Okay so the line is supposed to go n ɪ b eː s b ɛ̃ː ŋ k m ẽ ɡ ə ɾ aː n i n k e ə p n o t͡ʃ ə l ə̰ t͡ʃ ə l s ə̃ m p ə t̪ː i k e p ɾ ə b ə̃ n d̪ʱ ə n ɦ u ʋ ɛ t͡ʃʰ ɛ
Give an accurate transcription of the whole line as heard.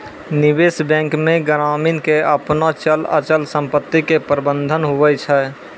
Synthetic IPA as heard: n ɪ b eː s b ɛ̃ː ŋ k m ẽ ɡ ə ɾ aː m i n k e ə p n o t͡ʃ ə l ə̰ t͡ʃ ə l s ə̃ m p ə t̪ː i k e p ɾ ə b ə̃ n d̪ʱ ə n ɦ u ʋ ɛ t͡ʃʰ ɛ